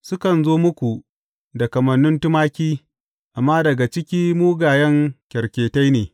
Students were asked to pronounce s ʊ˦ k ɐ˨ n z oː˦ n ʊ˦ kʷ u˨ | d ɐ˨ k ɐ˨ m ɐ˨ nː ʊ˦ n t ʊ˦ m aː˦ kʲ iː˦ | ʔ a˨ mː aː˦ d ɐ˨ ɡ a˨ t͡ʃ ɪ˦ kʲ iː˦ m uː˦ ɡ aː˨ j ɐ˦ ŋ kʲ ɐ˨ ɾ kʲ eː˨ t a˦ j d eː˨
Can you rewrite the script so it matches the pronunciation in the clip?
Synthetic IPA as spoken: s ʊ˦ k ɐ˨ n z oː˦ m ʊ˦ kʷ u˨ | d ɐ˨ k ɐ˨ m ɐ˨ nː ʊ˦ n t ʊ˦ m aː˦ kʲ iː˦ | ʔ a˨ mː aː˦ d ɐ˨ ɡ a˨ t͡ʃ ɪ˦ kʲ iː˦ m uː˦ ɡ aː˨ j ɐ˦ ŋ kʲ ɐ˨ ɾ kʲ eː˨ t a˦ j n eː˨